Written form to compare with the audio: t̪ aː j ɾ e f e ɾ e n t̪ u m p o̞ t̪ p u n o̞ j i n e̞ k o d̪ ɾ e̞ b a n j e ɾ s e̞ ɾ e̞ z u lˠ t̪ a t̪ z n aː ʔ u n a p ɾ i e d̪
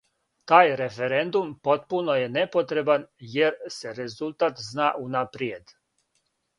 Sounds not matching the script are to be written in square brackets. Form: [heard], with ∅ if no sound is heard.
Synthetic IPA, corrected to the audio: t̪ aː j ɾ e f e ɾ e n [d̪] u m p o̞ t̪ p u n o̞ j [e] n e̞ [p] o [t̪] ɾ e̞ b a n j e ɾ s e̞ ɾ e̞ z u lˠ t̪ a t̪ z n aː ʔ u n a p ɾ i e d̪